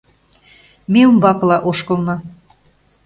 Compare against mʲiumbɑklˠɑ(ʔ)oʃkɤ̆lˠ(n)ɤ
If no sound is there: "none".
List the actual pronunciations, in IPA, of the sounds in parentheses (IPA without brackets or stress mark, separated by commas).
ʔ, n